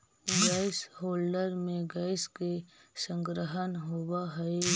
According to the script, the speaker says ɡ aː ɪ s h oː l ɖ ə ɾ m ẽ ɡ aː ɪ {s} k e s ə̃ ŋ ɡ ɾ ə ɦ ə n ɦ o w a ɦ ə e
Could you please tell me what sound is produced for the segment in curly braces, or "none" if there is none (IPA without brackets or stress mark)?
s